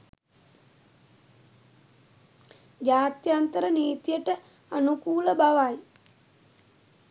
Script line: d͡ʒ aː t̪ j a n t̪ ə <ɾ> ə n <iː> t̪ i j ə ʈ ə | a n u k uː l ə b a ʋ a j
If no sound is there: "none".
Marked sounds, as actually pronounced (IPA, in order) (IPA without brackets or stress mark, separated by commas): ɾ, iː